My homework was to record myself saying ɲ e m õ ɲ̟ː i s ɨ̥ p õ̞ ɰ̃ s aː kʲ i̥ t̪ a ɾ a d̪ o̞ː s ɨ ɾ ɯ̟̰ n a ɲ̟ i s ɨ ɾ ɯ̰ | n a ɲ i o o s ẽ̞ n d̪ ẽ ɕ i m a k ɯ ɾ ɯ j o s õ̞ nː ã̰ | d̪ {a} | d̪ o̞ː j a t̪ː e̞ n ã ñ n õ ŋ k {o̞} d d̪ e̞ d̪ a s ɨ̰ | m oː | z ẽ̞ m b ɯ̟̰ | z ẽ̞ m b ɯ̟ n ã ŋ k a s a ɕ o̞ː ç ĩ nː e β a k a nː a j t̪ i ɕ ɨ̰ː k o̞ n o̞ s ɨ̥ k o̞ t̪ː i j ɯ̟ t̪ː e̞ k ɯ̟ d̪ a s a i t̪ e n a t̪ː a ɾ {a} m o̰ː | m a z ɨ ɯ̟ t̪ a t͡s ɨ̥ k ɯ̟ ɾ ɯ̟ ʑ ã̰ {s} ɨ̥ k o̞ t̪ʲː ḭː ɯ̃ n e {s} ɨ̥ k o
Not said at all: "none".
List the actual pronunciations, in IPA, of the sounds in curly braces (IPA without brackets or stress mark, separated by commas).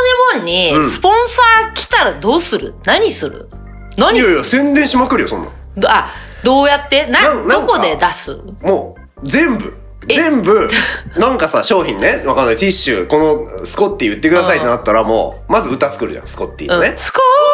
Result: a, o̞, a, s, s